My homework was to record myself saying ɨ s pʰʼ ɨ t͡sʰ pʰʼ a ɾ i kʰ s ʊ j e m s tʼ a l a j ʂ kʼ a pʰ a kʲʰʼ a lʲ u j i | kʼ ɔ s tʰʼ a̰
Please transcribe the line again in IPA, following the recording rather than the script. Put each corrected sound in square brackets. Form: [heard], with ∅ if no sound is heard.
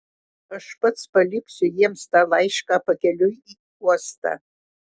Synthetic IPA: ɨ [ʂ] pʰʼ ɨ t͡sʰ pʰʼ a [l] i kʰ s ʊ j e m s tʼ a l a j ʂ kʼ a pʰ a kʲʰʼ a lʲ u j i | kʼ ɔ s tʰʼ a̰

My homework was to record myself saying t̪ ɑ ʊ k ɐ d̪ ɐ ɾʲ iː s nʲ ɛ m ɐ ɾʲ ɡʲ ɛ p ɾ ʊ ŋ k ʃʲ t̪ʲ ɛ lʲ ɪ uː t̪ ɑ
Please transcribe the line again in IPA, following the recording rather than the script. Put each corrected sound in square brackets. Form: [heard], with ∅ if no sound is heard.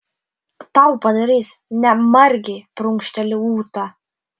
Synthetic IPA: t̪ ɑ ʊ [p] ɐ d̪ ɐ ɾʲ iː s nʲ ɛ m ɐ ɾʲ ɡʲ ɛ p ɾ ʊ ŋ k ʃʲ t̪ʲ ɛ lʲ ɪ uː t̪ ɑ

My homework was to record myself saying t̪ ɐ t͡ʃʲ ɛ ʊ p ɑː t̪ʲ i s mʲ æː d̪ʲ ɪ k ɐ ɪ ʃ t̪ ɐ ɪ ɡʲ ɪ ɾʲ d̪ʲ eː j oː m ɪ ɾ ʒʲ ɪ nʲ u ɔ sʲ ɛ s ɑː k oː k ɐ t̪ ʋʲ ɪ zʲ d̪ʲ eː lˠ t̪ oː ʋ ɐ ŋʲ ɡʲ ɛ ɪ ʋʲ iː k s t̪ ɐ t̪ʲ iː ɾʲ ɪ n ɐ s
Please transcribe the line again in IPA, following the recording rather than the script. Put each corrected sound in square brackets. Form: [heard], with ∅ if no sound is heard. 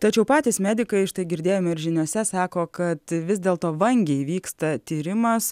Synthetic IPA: t̪ ɐ t͡ʃʲ ɛ ʊ p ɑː t̪ʲ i s mʲ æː d̪ʲ ɪ k ɐ ɪ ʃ t̪ ɐ ɪ ɡʲ ɪ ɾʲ d̪ʲ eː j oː m ɪ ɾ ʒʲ ɪ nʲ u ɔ sʲ ɛ s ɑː k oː k ɐ t̪ ʋʲ ɪ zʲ d̪ʲ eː lˠ t̪ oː ʋ ɐ ŋʲ ɡʲ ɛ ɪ ʋʲ iː k s t̪ ɐ t̪ʲ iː ɾʲ ɪ [m] ɐ s

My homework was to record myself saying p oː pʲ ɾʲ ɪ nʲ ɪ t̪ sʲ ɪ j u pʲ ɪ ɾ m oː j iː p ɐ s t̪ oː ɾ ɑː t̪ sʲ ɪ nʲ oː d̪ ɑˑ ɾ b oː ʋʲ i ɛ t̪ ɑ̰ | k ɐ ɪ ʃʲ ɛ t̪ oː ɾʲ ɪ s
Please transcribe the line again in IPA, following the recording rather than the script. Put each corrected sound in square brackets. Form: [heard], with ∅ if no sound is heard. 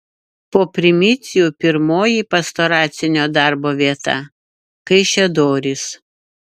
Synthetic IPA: p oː pʲ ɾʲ ɪ [mʲ] ɪ t̪ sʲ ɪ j u pʲ ɪ ɾ m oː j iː p ɐ s t̪ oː ɾ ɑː t̪ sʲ ɪ nʲ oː d̪ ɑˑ ɾ b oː ʋʲ i ɛ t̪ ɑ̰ | k ɐ ɪ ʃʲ ɛ [d̪] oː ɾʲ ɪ s

